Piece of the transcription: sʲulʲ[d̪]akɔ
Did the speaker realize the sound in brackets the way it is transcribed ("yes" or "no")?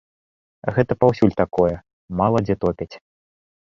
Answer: no